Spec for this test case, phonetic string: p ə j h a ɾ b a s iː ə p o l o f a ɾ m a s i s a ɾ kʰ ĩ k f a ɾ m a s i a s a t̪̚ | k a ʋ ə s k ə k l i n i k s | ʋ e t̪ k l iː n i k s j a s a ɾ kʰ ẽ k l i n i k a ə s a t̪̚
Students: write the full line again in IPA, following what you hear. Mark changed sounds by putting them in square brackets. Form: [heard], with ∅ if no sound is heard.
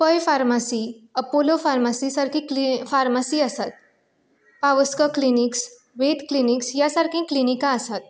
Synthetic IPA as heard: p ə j [f] a ɾ [m] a s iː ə p o l o f a ɾ m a s i s a ɾ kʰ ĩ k f a ɾ m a s i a s a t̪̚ | [p] a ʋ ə s k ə k l i n i k s | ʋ e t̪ k l [i] n i k s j a s a ɾ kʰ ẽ k l i n i k a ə s a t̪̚

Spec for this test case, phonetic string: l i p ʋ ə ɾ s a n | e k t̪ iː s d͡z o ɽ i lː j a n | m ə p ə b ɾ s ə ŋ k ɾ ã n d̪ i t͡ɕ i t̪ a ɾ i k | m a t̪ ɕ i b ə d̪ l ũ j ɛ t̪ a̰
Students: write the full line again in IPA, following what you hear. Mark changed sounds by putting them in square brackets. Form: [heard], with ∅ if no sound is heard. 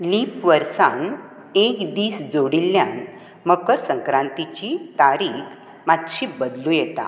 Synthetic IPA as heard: l i p ʋ ə ɾ s a n | e k [d̪] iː s d͡z o ɽ i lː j a n | m ə [k] ə [∅] ɾ s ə ŋ k ɾ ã n [t̪] i t͡ɕ i t̪ a ɾ i k | m a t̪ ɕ i b ə d̪ l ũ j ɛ t̪ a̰

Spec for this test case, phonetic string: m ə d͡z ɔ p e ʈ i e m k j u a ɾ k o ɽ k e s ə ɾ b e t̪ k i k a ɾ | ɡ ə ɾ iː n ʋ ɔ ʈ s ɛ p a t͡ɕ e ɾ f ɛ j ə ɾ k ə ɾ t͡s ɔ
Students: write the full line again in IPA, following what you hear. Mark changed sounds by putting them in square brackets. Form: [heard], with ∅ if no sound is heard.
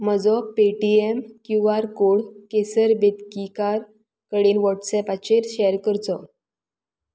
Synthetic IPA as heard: m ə d͡z ɔ p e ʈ i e m k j u a ɾ k o ɽ k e s ə ɾ b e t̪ k i k a ɾ | [k] ə [ɽ] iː n ʋ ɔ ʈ s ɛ p a t͡ɕ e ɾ [ɕ] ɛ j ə ɾ k ə ɾ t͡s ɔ

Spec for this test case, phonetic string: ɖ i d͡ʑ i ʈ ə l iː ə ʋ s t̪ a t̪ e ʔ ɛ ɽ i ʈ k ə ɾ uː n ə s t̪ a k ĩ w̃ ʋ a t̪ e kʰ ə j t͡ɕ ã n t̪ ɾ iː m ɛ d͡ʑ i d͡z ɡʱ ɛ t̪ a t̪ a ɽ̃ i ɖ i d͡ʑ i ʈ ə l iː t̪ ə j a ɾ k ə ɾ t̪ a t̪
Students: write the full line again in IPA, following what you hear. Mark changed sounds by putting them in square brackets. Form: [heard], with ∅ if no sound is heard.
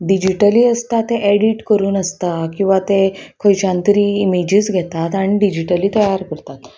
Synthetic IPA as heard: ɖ i d͡ʑ i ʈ ə l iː ə [∅] s t̪ a t̪ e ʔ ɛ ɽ i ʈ k ə ɾ uː n ə s t̪ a k ĩ w̃ ʋ a t̪ e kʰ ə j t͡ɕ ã n t̪ ɾ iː m [e] d͡ʑ i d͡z ɡʱ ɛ t̪ a t̪ a ɽ̃ i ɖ i d͡ʑ i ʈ ə l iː t̪ ə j a ɾ k ə ɾ t̪ a t̪

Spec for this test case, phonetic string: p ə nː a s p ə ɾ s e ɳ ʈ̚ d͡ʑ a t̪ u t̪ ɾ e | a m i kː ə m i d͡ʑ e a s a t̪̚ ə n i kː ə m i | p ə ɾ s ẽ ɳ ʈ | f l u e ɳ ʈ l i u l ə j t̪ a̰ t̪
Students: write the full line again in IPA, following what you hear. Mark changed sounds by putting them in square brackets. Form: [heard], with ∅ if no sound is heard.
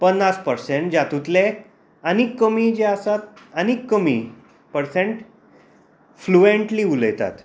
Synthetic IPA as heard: p ə nː a s p ə ɾ s e ɳ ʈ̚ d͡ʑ a t̪ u t̪ [l] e | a [n] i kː ə m i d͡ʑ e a s a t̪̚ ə n i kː ə m i | p ə ɾ s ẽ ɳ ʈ | f l u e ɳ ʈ l i u l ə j t̪ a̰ t̪

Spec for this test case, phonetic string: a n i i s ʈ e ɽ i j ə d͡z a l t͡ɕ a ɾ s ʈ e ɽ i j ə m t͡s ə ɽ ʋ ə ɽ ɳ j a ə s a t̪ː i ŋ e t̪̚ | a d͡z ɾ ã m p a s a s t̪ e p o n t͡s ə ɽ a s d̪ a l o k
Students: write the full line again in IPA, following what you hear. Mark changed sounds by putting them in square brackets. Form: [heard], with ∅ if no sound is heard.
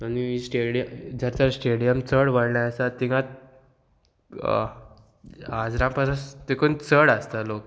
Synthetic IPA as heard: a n i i s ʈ e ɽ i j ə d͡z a [ɾ] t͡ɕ a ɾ s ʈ e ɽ i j ə m t͡s ə ɽ ʋ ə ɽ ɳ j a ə s a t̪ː i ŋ [a] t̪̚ | a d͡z ɾ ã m p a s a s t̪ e [k] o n t͡s ə ɽ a s [t̪] a l o k

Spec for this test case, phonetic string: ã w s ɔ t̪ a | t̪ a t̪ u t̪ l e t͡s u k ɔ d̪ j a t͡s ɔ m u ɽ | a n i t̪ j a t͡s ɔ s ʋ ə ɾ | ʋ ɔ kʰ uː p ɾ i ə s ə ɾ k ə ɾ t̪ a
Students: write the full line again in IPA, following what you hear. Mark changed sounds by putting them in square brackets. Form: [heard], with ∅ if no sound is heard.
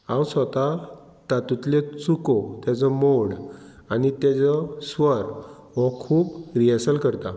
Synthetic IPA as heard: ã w s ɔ t̪ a | t̪ a t̪ u t̪ l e t͡s u k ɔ [t̪] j a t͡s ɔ m [o] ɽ | a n i t̪ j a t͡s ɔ s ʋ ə ɾ | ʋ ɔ kʰ uː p ɾ i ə s ə [l] k ə ɾ t̪ a

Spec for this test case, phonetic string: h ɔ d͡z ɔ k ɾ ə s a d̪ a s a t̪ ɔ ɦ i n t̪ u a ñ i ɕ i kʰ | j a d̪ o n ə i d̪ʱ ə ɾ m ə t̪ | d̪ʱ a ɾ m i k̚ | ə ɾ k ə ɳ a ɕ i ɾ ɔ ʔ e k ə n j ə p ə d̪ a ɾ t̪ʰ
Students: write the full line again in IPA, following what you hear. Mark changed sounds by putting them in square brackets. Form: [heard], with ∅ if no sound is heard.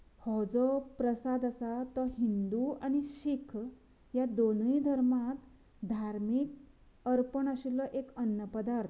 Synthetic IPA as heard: h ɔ d͡z ɔ [p] ɾ ə s a d̪ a s a t̪ ɔ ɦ i n [d̪] u a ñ i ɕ i kʰ | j a d̪ o n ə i d̪ʱ ə ɾ m [a] t̪ | d̪ʱ a ɾ m i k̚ | ə ɾ [p] ə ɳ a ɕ i [l] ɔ ʔ e k ə n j ə p ə d̪ a ɾ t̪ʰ

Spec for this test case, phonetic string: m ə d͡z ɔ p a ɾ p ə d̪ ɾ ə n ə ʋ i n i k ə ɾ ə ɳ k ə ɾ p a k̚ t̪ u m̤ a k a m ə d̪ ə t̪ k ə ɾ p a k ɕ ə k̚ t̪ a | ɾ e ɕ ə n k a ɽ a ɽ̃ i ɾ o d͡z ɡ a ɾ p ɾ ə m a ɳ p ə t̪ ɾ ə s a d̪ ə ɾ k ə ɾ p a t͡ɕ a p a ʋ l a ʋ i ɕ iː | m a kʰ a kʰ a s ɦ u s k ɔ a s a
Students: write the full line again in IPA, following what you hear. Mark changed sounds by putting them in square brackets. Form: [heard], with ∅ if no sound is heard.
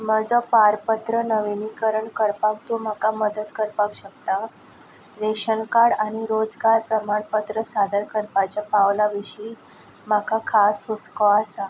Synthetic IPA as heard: m ə d͡z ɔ p a ɾ p ə [t̪] ɾ ə n ə ʋ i n i k ə ɾ ə ɳ k ə ɾ p a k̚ t̪ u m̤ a k a m ə d̪ ə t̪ k ə ɾ p a k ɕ ə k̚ t̪ a | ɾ e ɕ ə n k a ɽ a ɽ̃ i ɾ o d͡z ɡ a ɾ p ɾ ə m a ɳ p ə t̪ ɾ ə s a d̪ ə ɾ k ə ɾ p a t͡ɕ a p a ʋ l a ʋ i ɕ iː | m a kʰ a kʰ a s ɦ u s k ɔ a s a

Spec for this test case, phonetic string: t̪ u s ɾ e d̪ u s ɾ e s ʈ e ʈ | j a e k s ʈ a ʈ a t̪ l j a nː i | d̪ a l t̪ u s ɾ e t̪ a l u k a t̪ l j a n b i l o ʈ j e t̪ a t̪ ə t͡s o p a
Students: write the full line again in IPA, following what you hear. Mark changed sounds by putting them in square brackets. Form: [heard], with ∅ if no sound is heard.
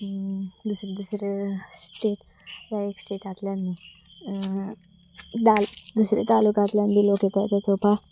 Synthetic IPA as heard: [d̪] u s ɾ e d̪ u s ɾ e s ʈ e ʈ | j a e k s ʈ [e] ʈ a t̪ l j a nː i | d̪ a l [d̪] u s ɾ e t̪ a l u k a t̪ l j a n b i l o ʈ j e t̪ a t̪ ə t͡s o p a

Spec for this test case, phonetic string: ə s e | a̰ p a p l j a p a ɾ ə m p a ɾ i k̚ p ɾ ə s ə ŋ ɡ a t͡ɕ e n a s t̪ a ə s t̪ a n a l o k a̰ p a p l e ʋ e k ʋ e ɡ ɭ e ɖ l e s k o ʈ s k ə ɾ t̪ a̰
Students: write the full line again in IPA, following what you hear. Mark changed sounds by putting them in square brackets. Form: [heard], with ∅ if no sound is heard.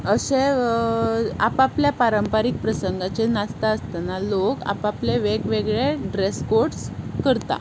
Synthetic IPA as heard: ə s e | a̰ p a p l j a p a ɾ ə m p a ɾ i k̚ p ɾ ə s ə ŋ ɡ a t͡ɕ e n a s t̪ a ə s t̪ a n a l o k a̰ p a p l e ʋ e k ʋ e ɡ ɭ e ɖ [ɾ] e s k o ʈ s k ə ɾ t̪ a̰

